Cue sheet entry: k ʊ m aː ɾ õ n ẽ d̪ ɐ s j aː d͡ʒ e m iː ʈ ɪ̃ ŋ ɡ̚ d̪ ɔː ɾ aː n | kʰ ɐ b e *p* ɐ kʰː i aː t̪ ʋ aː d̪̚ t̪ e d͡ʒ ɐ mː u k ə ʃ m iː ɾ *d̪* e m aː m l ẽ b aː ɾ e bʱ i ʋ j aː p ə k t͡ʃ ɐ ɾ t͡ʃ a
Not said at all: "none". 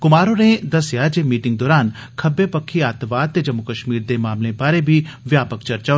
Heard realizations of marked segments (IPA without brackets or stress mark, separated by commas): p, d̪